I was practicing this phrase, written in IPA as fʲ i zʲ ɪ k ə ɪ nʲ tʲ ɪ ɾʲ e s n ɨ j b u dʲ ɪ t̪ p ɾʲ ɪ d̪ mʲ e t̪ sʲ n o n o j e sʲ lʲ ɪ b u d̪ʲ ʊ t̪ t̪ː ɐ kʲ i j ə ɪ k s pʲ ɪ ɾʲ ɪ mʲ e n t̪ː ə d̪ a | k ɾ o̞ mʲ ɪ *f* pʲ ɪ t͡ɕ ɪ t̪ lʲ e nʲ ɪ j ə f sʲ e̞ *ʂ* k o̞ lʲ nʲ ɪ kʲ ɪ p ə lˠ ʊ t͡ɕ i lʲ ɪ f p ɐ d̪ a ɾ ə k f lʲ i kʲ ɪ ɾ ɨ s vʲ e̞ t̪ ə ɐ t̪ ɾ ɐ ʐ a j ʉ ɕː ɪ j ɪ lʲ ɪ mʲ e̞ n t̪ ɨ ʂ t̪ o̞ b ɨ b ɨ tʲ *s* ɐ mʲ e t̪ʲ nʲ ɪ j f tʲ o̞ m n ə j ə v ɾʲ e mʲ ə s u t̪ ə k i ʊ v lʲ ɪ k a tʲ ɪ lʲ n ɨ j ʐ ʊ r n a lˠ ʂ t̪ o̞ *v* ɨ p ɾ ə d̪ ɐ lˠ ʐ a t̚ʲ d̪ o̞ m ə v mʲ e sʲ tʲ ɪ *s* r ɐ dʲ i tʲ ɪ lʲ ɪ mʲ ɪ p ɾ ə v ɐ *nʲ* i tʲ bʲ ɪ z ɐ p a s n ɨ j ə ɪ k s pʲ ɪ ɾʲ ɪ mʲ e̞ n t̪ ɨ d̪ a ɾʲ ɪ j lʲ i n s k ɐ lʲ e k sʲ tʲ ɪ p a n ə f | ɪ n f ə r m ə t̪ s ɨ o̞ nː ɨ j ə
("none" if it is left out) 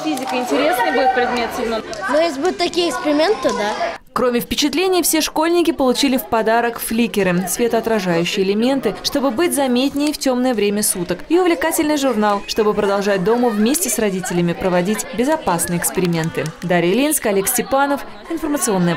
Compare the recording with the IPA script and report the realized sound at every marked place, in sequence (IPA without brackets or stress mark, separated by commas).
f, ʂ, z, b, s, dʲ